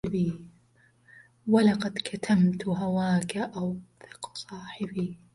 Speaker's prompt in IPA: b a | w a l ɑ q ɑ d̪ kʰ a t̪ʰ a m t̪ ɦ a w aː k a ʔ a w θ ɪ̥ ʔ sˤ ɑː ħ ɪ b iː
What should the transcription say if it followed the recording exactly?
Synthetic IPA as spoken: b i | w a l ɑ q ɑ d̪ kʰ a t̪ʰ a m t̪ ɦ a w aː k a ʔ a w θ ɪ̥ q sˤ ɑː ħ ɪ b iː